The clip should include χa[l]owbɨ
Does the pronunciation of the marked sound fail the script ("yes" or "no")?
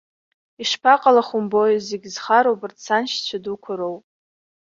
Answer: yes